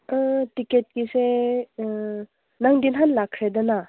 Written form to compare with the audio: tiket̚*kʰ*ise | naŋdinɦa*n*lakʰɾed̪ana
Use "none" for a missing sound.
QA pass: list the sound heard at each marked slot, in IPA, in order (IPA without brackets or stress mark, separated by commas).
k, n